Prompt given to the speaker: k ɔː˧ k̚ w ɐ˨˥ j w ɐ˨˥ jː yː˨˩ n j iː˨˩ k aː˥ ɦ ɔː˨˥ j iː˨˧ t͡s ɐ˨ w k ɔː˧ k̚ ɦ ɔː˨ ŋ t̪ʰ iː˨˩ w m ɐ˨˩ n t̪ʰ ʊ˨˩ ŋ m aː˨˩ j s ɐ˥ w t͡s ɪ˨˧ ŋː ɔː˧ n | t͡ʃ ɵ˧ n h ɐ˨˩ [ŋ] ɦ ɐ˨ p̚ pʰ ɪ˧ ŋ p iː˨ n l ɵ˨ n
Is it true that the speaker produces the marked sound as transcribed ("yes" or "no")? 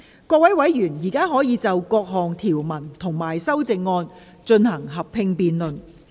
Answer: yes